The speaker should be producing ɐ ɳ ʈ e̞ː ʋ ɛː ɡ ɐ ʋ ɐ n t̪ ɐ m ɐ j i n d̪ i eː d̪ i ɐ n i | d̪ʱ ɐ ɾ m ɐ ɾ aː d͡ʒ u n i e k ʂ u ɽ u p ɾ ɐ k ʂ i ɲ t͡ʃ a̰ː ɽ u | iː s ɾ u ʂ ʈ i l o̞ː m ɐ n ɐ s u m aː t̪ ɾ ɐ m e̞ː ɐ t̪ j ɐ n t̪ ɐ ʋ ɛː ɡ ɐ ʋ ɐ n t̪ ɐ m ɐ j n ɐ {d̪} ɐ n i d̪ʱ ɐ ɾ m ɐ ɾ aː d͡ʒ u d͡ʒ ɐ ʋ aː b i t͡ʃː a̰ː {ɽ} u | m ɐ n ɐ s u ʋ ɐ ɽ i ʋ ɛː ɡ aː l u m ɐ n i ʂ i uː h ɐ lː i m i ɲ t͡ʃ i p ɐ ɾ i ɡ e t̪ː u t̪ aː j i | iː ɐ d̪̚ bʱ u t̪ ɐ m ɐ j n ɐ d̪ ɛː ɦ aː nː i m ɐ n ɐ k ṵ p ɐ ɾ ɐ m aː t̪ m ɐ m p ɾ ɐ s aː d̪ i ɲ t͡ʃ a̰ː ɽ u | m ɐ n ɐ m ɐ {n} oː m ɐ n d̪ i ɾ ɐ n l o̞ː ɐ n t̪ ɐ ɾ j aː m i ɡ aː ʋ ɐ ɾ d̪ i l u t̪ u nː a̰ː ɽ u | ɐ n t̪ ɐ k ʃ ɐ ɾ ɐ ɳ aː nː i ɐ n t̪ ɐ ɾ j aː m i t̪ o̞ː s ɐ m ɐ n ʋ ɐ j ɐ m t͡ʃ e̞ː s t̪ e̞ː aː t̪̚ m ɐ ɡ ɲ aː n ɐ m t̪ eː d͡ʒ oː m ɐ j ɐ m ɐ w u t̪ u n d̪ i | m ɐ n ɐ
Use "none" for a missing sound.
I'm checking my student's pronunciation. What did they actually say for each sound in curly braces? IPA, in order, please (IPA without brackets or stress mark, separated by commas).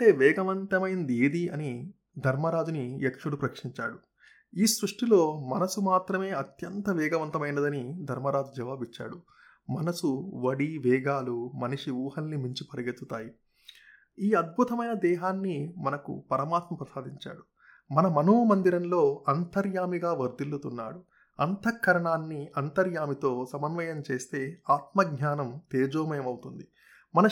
d̪, ɽ, n